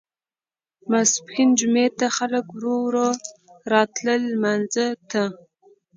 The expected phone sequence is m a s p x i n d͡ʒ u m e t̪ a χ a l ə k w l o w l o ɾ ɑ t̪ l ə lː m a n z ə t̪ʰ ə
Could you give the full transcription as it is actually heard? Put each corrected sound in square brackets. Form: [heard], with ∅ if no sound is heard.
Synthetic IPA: m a s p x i n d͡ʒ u m e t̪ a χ a l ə k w [ɾ] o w [ɾ] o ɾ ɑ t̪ l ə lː m a n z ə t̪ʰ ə